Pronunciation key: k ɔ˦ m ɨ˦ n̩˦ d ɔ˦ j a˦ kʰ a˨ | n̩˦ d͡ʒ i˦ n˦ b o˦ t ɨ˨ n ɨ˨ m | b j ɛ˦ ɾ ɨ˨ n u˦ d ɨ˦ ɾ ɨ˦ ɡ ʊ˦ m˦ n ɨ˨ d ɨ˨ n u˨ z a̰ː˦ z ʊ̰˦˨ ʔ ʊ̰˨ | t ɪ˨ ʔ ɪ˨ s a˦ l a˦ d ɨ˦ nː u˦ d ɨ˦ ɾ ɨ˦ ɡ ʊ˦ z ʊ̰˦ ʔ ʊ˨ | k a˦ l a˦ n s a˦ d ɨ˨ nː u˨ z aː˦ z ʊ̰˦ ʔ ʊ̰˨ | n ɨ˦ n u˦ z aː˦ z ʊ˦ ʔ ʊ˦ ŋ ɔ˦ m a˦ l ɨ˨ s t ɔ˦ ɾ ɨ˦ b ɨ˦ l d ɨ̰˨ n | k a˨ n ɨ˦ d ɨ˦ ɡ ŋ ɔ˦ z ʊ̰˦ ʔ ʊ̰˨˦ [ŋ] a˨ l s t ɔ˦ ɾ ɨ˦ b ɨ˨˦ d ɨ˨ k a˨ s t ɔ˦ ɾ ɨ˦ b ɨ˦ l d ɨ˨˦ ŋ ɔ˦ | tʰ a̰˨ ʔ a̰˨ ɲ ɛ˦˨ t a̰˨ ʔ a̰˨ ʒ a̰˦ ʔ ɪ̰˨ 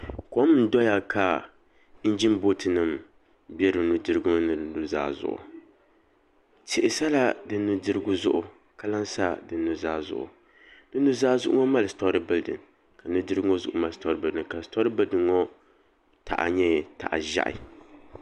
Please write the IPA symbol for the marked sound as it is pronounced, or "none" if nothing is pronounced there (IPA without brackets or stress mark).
m